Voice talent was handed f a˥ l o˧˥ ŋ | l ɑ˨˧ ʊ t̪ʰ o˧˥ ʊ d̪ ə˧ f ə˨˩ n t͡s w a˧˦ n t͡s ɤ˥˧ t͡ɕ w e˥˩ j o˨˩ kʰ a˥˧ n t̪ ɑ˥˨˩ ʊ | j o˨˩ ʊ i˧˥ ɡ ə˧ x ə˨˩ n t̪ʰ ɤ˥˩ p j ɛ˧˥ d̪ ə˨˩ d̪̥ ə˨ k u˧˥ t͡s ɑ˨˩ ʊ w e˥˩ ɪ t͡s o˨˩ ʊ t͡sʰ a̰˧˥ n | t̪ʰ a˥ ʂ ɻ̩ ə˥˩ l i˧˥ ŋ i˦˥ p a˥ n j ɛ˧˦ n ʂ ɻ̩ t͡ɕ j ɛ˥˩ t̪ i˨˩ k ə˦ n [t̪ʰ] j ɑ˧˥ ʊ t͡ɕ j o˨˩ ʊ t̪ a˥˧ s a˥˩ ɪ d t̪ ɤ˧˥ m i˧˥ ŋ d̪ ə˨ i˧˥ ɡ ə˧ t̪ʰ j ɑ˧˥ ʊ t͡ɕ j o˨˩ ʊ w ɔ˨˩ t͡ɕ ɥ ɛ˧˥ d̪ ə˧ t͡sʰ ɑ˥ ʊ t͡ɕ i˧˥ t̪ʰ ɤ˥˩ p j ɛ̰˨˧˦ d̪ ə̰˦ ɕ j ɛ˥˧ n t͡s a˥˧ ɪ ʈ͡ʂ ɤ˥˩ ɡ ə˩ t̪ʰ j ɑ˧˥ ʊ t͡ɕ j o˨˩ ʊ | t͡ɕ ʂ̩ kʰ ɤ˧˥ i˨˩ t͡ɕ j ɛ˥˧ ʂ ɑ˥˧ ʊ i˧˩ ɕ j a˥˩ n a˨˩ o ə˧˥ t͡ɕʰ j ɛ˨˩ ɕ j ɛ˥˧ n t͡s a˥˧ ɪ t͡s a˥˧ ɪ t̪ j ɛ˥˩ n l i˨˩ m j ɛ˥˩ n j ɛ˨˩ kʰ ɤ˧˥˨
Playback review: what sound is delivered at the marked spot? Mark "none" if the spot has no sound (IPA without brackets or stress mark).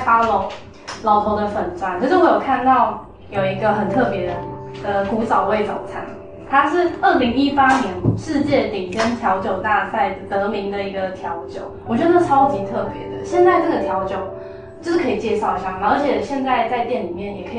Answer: t̪ʰ